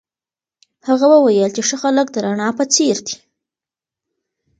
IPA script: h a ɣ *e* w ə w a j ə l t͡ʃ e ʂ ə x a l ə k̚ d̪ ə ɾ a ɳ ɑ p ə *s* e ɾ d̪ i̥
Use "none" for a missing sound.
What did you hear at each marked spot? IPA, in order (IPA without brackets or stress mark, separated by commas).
a, t͡s